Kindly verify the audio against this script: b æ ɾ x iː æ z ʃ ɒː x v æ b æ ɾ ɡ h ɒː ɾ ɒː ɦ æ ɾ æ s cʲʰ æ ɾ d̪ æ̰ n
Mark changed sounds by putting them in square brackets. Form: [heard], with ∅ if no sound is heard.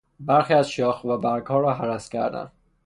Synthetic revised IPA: b æ ɾ x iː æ z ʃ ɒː x v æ b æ ɾ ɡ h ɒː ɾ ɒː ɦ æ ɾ æ s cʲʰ æ ɾ d̪ æ̰ n